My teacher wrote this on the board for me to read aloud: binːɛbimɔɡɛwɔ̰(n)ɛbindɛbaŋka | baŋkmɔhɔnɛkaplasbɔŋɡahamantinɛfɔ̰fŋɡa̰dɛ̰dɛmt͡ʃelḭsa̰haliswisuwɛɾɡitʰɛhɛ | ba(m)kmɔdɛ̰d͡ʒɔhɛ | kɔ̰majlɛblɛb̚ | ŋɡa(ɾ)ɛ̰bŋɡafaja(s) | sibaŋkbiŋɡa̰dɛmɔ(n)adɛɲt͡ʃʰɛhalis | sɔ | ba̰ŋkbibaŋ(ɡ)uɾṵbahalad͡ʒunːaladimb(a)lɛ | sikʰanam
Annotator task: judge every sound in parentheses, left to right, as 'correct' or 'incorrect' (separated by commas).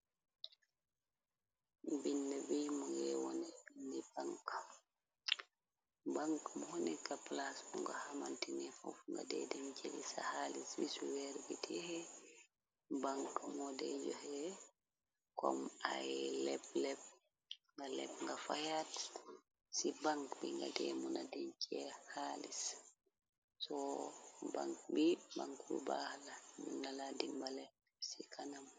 correct, incorrect, incorrect, incorrect, correct, incorrect, correct